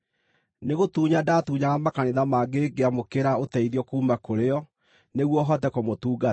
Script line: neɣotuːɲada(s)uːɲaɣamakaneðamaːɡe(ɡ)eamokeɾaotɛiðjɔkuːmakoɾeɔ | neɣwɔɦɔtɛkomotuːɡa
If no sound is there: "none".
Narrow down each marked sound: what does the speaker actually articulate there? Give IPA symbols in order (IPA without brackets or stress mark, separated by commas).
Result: t, ɡ